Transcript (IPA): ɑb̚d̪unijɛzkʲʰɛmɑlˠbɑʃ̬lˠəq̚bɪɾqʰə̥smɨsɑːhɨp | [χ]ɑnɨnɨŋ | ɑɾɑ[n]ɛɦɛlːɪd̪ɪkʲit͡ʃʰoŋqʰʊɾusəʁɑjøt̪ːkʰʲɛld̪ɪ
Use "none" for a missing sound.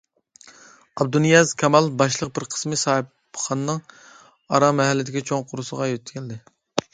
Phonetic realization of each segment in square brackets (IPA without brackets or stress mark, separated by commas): χ, m